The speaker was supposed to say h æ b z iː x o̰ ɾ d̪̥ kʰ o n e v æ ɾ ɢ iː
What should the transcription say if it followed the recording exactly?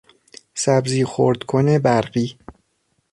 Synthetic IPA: s æ b z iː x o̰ ɾ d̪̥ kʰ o n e b æ ɾ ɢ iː